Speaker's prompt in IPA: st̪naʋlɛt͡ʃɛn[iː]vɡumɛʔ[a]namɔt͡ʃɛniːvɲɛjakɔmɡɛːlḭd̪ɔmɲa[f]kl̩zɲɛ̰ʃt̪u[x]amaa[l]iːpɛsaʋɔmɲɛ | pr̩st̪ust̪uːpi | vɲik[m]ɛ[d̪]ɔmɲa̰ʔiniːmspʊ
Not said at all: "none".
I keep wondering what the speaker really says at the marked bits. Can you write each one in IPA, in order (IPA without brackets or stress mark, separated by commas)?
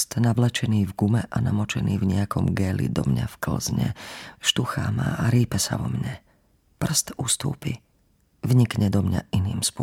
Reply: iː, a, f, x, ɾ, ɲ, d̪